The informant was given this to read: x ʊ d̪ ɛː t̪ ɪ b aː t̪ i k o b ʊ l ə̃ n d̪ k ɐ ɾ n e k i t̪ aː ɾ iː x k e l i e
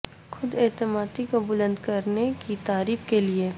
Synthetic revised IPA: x ʊ d̪ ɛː t̪ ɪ m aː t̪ i k o b ʊ l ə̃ n d̪ k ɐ ɾ n e k i t̪ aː ɾ iː f k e l i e